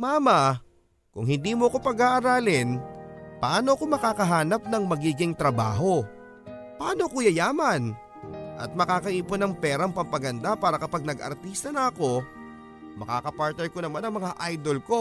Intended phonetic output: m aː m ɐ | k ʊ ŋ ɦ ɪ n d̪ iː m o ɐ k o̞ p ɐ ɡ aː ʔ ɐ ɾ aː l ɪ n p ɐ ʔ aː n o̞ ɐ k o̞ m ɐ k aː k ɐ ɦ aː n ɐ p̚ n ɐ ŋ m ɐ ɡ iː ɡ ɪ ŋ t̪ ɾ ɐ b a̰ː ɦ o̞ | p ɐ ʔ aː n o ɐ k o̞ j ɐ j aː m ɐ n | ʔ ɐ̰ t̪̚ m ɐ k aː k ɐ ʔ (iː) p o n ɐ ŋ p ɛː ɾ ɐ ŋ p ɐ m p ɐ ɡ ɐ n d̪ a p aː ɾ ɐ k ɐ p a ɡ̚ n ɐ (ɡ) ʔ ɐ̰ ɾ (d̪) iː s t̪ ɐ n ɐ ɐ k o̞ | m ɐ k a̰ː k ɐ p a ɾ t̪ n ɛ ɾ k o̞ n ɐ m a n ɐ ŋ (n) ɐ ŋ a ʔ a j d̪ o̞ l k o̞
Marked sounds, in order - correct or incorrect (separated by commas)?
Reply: correct, correct, incorrect, incorrect